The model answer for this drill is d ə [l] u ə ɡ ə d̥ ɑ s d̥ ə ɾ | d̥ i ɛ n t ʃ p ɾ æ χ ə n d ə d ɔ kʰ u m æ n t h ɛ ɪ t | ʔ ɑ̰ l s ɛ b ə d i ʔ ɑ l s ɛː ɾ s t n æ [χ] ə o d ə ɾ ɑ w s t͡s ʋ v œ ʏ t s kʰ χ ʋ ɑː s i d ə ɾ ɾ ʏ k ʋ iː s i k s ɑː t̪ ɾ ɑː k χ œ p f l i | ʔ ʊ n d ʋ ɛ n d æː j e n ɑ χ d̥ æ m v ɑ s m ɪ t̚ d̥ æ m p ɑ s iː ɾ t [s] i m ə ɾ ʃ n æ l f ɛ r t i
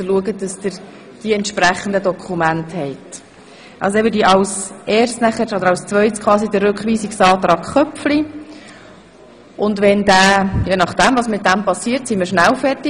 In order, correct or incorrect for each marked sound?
correct, correct, correct

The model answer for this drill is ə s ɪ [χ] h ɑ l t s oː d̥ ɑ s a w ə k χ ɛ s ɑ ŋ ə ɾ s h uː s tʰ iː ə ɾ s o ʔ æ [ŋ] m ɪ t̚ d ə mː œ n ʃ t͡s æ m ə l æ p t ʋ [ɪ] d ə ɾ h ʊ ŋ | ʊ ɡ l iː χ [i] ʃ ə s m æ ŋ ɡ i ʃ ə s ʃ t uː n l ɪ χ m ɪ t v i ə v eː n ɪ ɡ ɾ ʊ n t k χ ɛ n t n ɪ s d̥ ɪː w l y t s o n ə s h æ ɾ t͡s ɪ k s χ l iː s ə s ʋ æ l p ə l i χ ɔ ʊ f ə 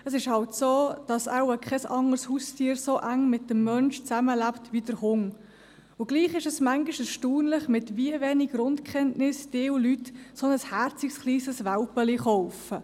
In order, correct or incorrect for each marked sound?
incorrect, correct, incorrect, incorrect

